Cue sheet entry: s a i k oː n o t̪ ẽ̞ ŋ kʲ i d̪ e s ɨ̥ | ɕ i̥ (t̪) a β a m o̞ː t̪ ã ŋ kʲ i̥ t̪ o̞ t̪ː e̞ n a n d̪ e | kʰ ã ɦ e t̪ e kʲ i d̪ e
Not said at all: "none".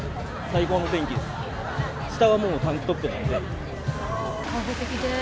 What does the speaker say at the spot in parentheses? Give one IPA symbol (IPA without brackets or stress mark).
t̪